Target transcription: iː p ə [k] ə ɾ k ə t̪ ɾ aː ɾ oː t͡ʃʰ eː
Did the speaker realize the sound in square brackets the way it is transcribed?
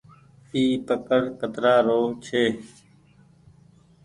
yes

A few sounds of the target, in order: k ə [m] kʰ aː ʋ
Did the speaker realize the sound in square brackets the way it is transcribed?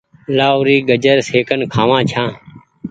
no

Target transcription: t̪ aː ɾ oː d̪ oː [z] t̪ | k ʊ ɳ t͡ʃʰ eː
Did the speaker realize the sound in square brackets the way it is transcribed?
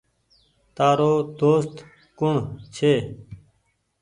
no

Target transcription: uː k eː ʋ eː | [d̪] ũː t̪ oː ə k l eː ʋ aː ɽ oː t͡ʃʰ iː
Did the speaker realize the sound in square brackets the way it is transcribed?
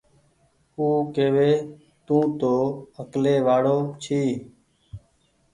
no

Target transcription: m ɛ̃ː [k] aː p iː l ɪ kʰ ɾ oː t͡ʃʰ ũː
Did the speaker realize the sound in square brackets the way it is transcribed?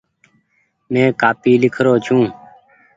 yes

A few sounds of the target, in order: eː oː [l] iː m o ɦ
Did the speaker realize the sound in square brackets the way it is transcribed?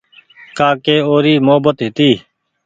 no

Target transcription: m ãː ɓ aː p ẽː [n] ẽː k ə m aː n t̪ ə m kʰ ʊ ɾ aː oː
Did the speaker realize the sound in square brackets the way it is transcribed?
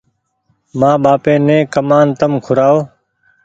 yes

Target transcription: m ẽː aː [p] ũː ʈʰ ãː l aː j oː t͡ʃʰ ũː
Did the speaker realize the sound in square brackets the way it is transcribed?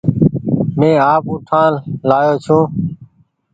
yes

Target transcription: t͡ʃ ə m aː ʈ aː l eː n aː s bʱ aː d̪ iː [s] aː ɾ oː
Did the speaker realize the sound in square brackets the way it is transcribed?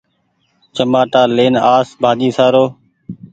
yes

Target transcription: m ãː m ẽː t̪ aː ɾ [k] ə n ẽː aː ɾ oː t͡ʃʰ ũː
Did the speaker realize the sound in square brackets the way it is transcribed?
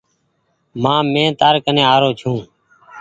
yes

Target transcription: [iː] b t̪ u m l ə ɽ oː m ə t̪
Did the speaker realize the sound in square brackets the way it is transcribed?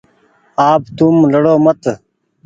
no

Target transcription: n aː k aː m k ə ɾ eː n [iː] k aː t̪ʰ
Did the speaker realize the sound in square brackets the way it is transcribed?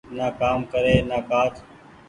no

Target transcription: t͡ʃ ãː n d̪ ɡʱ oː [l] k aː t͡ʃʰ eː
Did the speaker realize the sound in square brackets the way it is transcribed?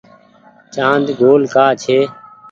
yes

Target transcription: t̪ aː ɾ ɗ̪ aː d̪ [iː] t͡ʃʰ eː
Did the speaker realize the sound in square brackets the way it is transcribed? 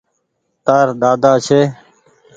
no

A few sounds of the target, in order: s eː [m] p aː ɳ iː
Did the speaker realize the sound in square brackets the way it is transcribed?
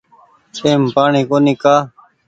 yes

